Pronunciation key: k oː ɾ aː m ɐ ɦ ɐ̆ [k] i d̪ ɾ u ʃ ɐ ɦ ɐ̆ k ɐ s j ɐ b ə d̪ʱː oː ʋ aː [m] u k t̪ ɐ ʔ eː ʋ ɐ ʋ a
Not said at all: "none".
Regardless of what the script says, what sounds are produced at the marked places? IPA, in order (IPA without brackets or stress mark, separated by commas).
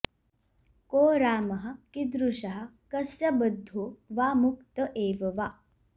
k, m